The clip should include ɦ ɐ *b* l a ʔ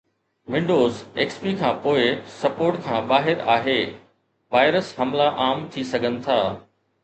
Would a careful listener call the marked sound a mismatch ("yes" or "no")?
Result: yes